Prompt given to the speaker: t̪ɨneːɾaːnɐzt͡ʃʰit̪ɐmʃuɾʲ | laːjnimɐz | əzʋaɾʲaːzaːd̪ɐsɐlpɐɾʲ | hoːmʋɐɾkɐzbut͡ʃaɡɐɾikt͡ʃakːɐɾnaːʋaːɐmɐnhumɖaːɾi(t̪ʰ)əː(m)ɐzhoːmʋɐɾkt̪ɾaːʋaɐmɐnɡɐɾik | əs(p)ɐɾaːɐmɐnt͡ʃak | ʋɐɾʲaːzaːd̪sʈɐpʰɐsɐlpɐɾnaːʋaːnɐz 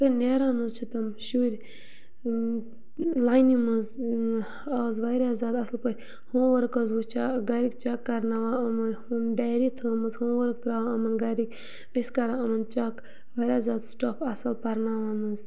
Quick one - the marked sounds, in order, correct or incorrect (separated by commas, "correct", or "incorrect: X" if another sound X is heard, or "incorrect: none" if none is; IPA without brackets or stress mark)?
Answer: correct, correct, incorrect: k